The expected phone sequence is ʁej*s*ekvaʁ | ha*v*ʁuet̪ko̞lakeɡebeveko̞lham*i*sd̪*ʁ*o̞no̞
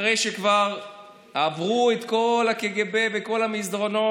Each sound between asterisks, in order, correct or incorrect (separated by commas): incorrect, correct, correct, correct